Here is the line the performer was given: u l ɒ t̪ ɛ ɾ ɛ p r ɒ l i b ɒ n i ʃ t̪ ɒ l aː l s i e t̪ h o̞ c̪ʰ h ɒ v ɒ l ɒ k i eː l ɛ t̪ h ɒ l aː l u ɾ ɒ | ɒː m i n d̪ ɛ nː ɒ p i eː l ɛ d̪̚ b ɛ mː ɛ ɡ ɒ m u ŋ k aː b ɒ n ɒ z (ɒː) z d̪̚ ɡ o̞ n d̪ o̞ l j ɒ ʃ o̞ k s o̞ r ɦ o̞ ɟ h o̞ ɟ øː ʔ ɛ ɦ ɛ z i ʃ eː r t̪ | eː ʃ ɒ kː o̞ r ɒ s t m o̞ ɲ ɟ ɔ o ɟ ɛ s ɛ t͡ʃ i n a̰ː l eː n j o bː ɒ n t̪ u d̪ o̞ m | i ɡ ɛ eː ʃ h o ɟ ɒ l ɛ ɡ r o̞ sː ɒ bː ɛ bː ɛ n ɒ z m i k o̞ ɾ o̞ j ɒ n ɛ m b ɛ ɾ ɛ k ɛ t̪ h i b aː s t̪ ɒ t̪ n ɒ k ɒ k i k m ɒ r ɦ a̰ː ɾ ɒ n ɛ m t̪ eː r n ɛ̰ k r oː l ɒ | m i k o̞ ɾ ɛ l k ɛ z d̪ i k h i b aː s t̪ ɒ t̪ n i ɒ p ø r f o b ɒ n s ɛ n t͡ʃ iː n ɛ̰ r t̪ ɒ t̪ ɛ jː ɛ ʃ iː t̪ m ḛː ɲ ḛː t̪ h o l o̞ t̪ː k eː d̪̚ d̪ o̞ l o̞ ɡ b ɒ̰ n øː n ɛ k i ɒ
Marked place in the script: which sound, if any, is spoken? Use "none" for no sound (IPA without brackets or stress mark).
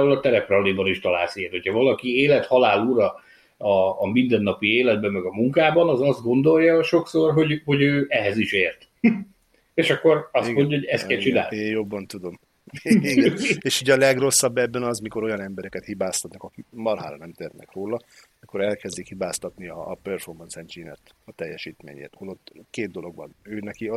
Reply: ɒ